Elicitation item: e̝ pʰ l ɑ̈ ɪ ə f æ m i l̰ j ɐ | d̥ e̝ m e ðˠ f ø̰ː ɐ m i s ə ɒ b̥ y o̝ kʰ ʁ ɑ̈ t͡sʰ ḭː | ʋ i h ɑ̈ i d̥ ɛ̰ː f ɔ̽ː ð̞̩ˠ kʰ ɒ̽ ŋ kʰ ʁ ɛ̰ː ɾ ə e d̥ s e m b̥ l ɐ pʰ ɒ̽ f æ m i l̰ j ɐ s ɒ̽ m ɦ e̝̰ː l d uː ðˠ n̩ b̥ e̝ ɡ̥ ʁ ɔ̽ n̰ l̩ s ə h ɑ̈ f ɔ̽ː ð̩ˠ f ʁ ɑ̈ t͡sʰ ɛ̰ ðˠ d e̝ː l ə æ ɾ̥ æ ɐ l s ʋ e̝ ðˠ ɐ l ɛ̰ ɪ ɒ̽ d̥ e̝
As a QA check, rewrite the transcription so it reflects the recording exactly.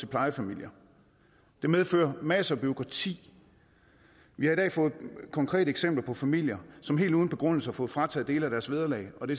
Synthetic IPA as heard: e̝ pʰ l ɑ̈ ɪ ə f æ m i l̰ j ɐ | d̥ e̝ m e ðˠ f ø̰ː ɐ m æ s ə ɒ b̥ y o̝ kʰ ʁ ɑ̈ t͡sʰ ḭː | ʋ i h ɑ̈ i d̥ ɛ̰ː f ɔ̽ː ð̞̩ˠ kʰ ɒ̽ ŋ kʰ ʁ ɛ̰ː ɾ ə e ɡ̥ s e m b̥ l ɐ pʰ ɒ̽ f æ m i l̰ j ɐ s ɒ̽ m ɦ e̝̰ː l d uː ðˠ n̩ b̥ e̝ ɡ̥ ʁ ɔ̽ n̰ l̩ s ə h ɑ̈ f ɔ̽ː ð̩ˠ f ʁ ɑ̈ t͡sʰ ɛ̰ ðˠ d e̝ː l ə æ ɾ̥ æ ɐ s ʋ e̝ ðˠ ɐ l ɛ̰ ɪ ɒ̽ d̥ e̝

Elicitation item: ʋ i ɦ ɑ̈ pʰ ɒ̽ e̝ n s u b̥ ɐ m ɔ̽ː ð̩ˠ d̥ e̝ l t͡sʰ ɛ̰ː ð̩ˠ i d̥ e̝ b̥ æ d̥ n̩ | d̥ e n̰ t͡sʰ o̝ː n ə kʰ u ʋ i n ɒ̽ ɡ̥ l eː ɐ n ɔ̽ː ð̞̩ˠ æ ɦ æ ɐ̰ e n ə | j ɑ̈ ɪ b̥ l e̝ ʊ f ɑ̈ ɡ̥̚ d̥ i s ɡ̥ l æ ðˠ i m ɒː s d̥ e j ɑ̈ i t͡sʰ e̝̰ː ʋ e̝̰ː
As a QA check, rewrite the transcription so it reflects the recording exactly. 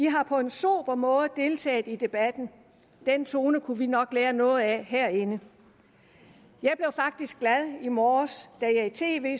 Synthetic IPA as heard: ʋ i ɦ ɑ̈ pʰ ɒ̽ e̝ n s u b̥ ɐ m ɔ̽ː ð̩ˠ d̥ e̝ l t͡sʰ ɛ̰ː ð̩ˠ i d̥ e̝ b̥ æ d̥ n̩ | d̥ e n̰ t͡sʰ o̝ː n ə kʰ u ʋ i n ɒ̽ ɡ̥ l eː ɐ n ɔ̽ː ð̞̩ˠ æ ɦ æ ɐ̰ e n ə | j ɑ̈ ɪ b̥ l e̝ ʊ f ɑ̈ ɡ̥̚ d̥ i s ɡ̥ l æ ðˠ i m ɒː s d̥ æ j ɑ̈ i t͡sʰ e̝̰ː ʋ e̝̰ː

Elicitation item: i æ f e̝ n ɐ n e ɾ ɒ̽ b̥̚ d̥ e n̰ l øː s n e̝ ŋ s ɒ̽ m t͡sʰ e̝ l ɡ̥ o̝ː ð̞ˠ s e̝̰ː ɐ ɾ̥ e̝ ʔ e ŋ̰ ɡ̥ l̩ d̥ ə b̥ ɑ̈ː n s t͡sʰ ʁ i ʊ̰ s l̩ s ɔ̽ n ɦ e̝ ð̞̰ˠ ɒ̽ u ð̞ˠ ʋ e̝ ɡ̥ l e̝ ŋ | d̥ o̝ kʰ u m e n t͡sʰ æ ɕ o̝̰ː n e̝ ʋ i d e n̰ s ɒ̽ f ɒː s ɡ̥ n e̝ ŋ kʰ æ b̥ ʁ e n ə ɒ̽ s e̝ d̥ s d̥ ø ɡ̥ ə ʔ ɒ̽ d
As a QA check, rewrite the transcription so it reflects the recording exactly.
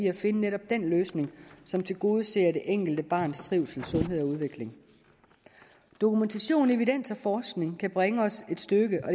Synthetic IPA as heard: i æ f e̝ n ə n e ɾ ɒ̽ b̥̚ d̥ e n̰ l øː s n e̝ ŋ s ɒ̽ m t͡sʰ e̝ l ɡ̥ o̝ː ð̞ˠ s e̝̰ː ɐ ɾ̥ e̝ ʔ e ŋ̰ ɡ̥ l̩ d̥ ə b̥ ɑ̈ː n s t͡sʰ ʁ i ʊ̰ s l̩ s ɔ̽ n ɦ e̝ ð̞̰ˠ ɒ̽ u ð̞ˠ ʋ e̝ ɡ̥ l e̝ ŋ | d̥ o̝ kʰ u m e n t͡sʰ æ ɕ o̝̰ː n e̝ ʋ i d e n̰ s ɒ̽ f ɒː s ɡ̥ n e̝ ŋ kʰ æ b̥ ʁ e ŋ ə ɒ̽ s e̝ d̥ s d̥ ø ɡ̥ ə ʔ ɒ̽ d

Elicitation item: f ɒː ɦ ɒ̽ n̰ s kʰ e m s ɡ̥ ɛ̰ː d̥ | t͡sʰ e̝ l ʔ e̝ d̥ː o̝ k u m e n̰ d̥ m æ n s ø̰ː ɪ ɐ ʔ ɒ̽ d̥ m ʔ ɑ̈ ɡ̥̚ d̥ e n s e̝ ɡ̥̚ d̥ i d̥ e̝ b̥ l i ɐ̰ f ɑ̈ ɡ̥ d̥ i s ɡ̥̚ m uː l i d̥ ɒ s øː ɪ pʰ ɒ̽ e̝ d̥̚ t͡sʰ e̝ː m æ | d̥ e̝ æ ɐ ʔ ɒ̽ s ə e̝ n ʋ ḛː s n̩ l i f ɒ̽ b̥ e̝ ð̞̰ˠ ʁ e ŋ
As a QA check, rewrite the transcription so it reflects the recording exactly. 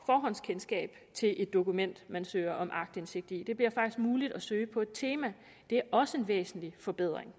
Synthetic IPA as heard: f ɒː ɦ ɒ̽ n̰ s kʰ e n s ɡ̥ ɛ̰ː b̥ | t͡sʰ e̝ l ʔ e̝ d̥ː o̝ k u m e n̰ d̥ m æ n s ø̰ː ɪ ɐ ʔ ɒ̽ m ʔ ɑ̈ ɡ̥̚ d̥ e n s e̝ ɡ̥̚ d̥ i d̥ e̝ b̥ l i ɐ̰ f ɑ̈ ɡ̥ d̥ i s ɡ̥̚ m uː l i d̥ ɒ s øː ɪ pʰ ɒ̽ e̝ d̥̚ t͡sʰ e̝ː m æ | d̥ e̝ æ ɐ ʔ ɒ̽ s ə e̝ n ʋ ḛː s n̩ l i f ɒ̽ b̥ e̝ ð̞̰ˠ ʁ e ŋ

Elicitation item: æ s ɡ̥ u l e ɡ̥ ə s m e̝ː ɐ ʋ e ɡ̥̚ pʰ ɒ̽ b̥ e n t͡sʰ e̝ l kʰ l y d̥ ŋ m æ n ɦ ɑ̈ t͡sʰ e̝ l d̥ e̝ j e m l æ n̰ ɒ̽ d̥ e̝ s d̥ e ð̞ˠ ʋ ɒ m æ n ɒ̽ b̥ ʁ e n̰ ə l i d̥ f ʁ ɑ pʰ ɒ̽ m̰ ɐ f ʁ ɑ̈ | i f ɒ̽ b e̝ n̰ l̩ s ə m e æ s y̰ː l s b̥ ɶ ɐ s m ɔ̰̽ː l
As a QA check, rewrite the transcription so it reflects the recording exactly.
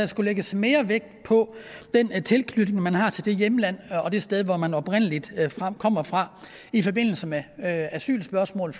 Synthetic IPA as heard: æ s ɡ̥ u l e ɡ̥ ə s m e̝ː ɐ ʋ e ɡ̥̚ pʰ ɒ̽ d̥ e n t͡sʰ e̝ l kʰ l y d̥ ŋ m æ n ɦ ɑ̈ t͡sʰ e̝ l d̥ e̝ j e m l æ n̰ ɒ̽ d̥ e̝ s d̥ e ð̞ˠ ʋ ɒ m æ n ɒ̽ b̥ ʁ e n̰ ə l i d̥ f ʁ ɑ kʰ ɒ̽ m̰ ɐ f ʁ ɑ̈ | i f ɒ̽ b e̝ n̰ l̩ s ə m e æ s y̰ː l s b̥ ɶ ɐ s m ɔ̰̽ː l

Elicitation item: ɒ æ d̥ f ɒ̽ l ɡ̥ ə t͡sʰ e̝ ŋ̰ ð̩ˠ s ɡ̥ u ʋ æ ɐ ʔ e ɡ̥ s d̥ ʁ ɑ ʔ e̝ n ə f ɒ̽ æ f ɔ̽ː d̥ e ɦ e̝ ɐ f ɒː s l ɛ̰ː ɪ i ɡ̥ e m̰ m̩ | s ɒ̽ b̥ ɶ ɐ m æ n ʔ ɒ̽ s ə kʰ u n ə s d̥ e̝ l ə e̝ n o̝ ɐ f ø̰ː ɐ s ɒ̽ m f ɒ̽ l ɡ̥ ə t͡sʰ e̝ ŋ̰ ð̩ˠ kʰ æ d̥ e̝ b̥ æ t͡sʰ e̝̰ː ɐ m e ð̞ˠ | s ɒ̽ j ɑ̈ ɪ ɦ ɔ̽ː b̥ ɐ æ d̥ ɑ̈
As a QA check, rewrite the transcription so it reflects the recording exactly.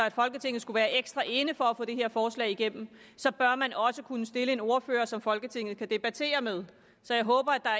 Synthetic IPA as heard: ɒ æ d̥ f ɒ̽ l ɡ̥ ə t͡sʰ e̝ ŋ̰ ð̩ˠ s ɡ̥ u ʋ æː ɐ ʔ e ɡ̥ s d̥ ʁ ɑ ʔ e̝ n ə f ɒ̽ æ f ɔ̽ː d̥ e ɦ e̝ ɐ f ɒː s l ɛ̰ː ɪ i ɡ̥ e m̰ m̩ | s ɒ̽ b̥ ɶ ɐ m æ n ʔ ɒ̽ s ə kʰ u n ə s d̥ e̝ l ə e̝ n o̝ ɐ f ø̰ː ɐ s ɒ̽ m f ɒ̽ l ɡ̥ ə t͡sʰ e̝ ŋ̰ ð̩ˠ kʰ æ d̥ e̝ b̥ æ t͡sʰ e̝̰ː ɐ m e ð̞ˠ | s ɒ̽ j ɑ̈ ɪ ɦ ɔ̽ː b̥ ɐ æ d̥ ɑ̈

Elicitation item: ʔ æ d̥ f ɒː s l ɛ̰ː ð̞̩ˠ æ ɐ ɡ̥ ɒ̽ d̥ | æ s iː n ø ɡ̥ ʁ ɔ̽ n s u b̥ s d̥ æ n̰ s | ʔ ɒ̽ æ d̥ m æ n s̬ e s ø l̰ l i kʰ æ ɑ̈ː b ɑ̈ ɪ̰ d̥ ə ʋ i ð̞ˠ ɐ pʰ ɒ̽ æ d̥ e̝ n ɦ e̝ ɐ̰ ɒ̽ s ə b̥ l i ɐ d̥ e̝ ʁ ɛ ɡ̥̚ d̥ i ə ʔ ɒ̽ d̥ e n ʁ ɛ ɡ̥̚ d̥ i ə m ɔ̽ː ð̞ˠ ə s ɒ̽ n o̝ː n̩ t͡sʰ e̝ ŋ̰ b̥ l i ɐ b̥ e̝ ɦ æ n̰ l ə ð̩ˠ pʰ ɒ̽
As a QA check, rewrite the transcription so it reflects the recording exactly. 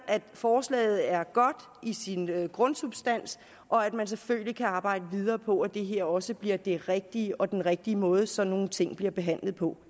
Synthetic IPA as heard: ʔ æ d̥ f ɒː s l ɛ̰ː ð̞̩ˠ æ ɐ ɡ̥ ɒ̽ d̥ | i s i n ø ɡ̥ ʁ ɔ̽ n s u b̥ s d̥ æ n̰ s | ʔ ɒ̽ æ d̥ m æ n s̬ e f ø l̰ l i kʰ æ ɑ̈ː b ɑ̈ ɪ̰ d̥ ə ʋ i ð̞ˠ ɐː pʰ ɒ̽ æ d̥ e̝ ɦ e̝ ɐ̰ ɒ̽ s ə b̥ l i ɐ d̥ e̝ ʁ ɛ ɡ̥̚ d̥ i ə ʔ ɒ̽ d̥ e n ʁ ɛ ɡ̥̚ d̥ i ə m ɔ̽ː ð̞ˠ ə s ɒ̽ n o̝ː n̩ t͡sʰ e̝ ŋ̰ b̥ l i ɐ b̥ e̝ ɦ æ n̰ l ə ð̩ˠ pʰ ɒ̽

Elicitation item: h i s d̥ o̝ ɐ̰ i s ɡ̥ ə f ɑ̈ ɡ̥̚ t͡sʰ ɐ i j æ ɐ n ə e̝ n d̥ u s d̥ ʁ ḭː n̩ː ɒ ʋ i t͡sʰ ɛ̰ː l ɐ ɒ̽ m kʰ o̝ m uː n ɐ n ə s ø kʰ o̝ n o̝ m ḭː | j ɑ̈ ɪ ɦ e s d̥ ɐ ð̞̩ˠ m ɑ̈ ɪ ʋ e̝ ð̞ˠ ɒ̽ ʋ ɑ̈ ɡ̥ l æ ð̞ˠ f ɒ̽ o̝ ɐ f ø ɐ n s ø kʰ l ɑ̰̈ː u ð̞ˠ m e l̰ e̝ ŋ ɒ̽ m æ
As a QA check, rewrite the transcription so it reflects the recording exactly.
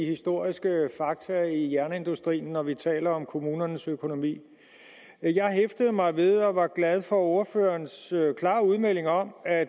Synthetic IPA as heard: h i s d̥ o̝ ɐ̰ i s ɡ̥ ə f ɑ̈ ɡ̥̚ t͡sʰ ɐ i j æ ɐ n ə e̝ n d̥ u s d̥ ʁ ḭː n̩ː ɒ ʋ i t͡sʰ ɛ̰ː l ɐ ɒ̽ m kʰ o̝ m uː n ɐ n ə s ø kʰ o̝ n o̝ m ḭː | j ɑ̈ ɪ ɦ e f d̥ ə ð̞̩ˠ m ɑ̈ ɪ ʋ e̝ ð̞ˠ ɒ̽ ʋ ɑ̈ ɡ̥ l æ ð̞ˠ f ɒ̽ o̝ ɐ f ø ɐ n s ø kʰ l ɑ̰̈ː u ð̞ˠ m e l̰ e̝ ŋ ɒ̽ m æ

